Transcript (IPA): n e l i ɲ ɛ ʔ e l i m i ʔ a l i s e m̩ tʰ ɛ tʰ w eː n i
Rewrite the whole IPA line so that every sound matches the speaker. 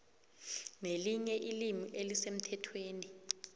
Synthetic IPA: n e l i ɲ ɛ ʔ i l i m i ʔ e l i s e m̩ tʰ ɛ tʰ w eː n i